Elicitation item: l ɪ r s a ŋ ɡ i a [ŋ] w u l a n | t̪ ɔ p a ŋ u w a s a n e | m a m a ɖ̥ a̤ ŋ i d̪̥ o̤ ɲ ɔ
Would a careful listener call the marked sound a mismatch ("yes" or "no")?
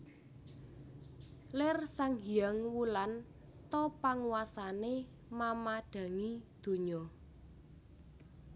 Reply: no